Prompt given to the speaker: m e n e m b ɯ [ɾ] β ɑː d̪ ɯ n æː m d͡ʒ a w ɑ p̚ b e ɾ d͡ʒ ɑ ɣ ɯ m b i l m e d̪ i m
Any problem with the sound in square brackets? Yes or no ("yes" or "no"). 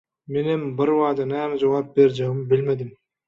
no